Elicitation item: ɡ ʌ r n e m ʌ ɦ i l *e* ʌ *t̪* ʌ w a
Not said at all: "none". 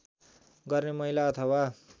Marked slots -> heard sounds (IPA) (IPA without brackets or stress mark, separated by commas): a, t̪ʰ